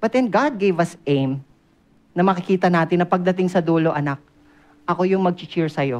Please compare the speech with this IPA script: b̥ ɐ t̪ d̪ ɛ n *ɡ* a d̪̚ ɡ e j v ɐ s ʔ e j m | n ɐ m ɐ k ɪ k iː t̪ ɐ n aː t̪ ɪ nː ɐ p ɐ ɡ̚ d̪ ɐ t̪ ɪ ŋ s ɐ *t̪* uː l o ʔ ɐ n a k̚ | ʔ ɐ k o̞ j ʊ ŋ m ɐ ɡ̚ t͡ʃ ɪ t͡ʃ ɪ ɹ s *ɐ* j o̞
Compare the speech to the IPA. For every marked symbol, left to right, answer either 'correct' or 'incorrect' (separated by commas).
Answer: correct, incorrect, correct